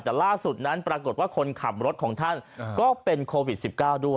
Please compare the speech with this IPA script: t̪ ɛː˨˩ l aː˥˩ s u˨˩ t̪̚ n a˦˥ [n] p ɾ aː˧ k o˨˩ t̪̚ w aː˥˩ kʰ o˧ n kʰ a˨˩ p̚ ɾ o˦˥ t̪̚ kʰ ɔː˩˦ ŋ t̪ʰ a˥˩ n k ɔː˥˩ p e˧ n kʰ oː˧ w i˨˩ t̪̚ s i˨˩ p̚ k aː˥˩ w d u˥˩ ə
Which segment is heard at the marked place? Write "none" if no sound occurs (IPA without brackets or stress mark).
n